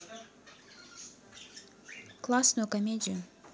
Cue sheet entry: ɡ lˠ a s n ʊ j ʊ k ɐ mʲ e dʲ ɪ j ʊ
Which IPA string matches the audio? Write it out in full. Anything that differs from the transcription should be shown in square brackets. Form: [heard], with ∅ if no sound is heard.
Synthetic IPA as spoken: [k] lˠ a s n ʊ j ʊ k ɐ mʲ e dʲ ɪ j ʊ